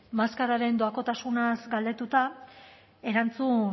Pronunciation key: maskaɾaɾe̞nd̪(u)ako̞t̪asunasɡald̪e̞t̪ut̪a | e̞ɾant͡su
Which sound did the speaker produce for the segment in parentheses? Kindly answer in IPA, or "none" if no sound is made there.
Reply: o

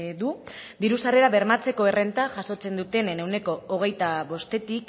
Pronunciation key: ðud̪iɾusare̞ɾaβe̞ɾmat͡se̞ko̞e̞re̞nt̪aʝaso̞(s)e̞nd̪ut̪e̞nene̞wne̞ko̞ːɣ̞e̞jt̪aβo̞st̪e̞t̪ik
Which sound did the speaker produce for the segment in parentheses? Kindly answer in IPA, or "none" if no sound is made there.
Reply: t͡s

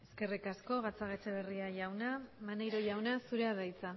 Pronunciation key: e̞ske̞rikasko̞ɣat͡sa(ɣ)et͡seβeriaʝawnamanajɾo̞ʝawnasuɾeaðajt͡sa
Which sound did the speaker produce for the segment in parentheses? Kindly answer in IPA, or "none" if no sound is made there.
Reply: ɣ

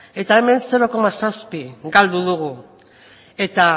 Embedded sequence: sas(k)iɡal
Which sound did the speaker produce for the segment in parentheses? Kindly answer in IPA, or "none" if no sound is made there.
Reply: p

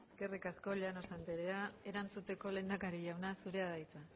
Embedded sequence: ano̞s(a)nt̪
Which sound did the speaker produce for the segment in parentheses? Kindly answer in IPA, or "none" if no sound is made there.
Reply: a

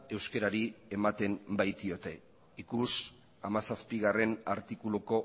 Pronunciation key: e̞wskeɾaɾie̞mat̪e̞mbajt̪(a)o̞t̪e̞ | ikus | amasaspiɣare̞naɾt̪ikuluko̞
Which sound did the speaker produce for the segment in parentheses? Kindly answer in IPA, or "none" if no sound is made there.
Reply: i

